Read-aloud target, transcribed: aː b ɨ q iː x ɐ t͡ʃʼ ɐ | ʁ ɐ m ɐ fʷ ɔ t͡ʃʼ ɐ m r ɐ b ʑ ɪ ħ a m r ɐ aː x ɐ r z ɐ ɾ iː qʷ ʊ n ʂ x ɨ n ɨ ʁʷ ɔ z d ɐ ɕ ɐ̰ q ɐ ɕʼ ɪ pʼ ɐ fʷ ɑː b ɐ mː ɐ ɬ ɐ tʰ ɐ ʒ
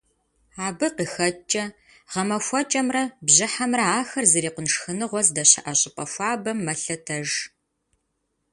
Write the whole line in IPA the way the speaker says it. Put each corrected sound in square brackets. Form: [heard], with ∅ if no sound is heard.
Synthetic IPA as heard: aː b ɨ q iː x ɐ t͡ʃʼ ɐ | ʁ ɐ m ɐ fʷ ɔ t͡ʃʼ ɐ m r ɐ b ʑ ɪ ħ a m r ɐ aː x ɐ r z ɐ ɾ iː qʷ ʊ n ʂ x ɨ n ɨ ʁʷ ɔ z d ɐ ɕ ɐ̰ [ʔ] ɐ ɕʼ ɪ pʼ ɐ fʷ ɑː b ɐ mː ɐ ɬ ɐ tʰ ɐ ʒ